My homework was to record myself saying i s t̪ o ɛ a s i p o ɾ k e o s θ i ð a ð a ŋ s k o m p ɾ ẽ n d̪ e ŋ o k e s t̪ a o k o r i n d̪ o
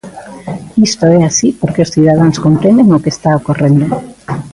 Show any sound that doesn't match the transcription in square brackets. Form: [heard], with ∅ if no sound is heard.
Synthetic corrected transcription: i s t̪ o ɛ a s i p o ɾ k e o s θ i ð a ð a ŋ s k o m p ɾ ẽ n d̪ e ŋ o k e s t̪ a o k o r [e] n d̪ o